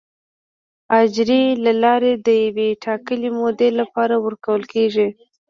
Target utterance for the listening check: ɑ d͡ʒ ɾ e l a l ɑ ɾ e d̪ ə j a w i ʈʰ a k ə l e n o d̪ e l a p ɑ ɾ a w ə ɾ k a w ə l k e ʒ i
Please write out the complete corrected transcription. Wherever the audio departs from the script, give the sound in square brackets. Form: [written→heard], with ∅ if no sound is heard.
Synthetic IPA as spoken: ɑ d͡ʒ ɾ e l a l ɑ ɾ e d̪ ə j a w [i→e] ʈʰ [a→ɑ] k ə l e [n→m] o d̪ e l a p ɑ ɾ a w ə ɾ k a w ə l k e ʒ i